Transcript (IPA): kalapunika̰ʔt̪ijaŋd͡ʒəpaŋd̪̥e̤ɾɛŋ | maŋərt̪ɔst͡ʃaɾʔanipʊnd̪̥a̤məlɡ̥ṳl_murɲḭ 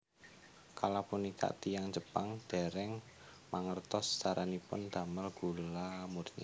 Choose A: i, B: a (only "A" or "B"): B